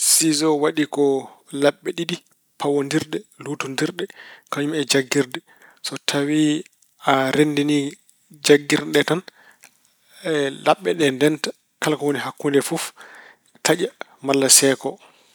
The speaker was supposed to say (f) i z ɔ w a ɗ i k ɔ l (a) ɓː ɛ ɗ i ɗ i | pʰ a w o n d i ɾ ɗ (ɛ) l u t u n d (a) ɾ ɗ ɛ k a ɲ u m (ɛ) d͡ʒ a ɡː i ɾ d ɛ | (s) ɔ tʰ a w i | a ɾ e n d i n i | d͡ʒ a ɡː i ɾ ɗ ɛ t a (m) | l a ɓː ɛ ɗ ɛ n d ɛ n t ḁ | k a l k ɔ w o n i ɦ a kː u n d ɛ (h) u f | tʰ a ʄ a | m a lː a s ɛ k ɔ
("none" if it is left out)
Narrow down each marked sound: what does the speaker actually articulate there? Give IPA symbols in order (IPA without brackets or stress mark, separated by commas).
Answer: s, a, ɛ, i, ɛ, s, n, f